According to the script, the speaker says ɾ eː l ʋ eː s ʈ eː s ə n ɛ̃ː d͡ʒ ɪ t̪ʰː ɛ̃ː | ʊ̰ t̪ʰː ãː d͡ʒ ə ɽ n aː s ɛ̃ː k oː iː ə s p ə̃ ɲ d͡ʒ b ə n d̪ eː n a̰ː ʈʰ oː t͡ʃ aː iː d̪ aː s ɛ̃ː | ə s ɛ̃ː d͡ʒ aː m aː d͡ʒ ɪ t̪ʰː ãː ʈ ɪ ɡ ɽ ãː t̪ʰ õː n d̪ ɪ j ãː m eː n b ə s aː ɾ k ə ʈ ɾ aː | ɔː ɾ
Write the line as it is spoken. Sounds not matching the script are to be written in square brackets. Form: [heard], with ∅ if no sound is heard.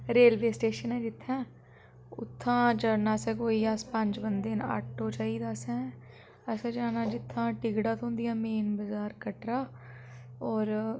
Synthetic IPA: ɾ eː l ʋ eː s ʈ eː [ʃ] ə n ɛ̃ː d͡ʒ ɪ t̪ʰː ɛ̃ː | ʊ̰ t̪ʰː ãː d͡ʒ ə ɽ n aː s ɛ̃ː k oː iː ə s p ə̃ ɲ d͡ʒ b ə n d̪ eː n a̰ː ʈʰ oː t͡ʃ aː iː d̪ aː s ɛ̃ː | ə s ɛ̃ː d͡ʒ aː [n] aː d͡ʒ ɪ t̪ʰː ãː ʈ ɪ ɡ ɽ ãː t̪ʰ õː n d̪ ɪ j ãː m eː n b ə [z] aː ɾ k ə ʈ ɾ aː | ɔː ɾ